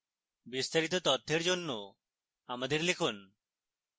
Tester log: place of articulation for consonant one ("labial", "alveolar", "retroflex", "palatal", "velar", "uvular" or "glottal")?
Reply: labial